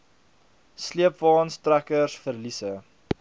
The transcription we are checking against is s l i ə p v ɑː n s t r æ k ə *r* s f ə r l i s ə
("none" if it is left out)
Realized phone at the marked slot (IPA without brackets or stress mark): r